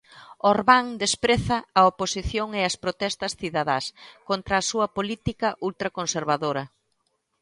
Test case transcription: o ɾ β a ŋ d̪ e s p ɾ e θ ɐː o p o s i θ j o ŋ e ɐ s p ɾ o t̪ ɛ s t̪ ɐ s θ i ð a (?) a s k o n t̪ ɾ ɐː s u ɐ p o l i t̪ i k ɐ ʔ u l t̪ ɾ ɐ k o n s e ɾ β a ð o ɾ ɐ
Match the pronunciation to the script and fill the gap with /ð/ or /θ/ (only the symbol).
ð